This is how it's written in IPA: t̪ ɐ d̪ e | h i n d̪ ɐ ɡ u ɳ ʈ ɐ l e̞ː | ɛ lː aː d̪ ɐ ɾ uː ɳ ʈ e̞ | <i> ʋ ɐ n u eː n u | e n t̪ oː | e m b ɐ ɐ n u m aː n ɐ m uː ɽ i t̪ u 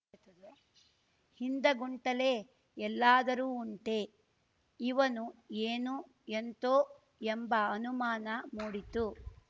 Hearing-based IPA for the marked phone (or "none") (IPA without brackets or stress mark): i